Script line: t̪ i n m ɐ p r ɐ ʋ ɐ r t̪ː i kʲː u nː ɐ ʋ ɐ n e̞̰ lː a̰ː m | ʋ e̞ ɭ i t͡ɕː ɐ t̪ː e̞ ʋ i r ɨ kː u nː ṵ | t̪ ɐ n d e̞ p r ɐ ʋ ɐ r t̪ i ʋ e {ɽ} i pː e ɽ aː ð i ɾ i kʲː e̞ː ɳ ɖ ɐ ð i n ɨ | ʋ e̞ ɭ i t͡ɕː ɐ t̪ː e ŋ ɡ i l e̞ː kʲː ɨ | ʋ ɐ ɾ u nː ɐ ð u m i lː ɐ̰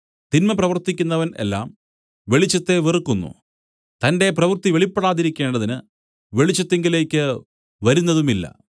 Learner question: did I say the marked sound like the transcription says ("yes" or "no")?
no